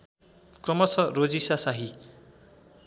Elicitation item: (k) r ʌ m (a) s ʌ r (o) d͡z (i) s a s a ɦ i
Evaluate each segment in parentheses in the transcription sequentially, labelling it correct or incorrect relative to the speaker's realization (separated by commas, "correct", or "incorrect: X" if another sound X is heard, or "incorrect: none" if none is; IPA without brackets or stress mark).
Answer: correct, incorrect: ʌ, correct, correct